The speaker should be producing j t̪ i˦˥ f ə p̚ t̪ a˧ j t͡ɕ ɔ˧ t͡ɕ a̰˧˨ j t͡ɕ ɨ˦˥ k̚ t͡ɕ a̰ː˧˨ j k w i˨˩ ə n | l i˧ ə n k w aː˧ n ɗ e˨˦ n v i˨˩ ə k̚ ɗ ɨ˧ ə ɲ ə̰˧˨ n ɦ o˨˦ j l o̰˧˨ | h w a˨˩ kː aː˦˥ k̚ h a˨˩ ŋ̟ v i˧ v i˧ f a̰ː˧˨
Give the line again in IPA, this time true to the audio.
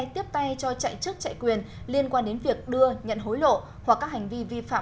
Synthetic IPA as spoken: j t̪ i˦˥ ə p̚ t̪ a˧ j t͡ɕ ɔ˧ t͡ɕ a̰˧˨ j t͡ɕ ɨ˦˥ k̚ t͡ɕ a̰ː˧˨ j k w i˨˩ ə n | l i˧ ə n k w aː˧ n ɗ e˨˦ n v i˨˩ ə k̚ ɗ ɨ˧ ə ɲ ə̰˧˨ n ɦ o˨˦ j l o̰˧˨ | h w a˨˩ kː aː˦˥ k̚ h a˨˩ ŋ̟ v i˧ v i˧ f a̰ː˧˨